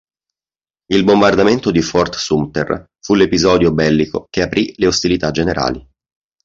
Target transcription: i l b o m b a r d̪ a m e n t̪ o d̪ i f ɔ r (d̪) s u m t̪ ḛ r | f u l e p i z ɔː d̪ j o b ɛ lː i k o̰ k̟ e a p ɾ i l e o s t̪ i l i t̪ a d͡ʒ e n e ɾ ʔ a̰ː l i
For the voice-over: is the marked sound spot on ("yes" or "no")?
no